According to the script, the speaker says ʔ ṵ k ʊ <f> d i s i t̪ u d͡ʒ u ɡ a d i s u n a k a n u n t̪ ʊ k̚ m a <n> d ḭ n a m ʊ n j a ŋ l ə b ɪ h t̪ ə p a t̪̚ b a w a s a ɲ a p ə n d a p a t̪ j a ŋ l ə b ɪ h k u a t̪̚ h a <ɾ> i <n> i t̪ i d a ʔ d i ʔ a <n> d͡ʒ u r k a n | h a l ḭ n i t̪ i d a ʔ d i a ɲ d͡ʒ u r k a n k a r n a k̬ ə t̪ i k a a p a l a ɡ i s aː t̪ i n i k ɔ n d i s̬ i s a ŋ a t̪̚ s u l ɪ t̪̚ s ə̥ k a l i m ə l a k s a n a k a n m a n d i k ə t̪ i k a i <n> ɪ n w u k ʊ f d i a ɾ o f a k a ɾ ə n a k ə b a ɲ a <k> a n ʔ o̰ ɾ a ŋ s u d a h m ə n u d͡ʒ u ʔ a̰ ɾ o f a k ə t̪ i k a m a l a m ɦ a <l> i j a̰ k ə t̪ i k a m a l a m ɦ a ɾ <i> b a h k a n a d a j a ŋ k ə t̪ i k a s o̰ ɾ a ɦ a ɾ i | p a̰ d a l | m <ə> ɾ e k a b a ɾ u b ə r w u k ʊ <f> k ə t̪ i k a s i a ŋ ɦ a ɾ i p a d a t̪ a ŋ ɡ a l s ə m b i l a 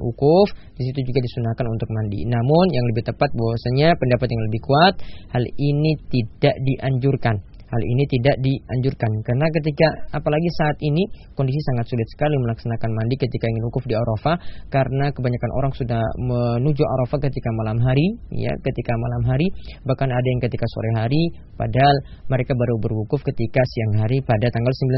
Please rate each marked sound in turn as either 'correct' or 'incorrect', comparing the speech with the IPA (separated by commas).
correct, correct, incorrect, correct, incorrect, incorrect, correct, incorrect, correct, correct, correct